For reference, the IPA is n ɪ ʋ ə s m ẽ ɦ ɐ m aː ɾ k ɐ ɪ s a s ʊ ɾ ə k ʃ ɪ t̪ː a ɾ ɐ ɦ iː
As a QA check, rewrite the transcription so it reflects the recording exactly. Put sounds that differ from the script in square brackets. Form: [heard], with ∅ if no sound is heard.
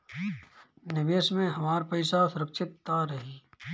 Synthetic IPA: n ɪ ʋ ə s m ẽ ɦ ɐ m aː ɾ [p] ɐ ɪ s a s ʊ ɾ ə k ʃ ɪ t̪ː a ɾ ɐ ɦ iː